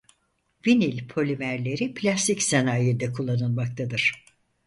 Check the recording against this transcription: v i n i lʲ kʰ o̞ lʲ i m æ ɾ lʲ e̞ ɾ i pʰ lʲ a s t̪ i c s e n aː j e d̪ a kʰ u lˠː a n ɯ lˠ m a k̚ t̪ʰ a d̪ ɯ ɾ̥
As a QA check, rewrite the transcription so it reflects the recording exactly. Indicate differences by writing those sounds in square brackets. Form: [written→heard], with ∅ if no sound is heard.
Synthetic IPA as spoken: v i n i lʲ [kʰ→pʰ] o̞ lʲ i m æ ɾ lʲ e̞ ɾ i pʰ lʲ a s t̪ i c s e n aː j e d̪ [a→ɛ] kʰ u lˠː a n ɯ lˠ m a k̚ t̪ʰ a d̪ ɯ ɾ̥